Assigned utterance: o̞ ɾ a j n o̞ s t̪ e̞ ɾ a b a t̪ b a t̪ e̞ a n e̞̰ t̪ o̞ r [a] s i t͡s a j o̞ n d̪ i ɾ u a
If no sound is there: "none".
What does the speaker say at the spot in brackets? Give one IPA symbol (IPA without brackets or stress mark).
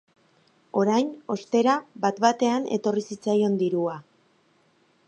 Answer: i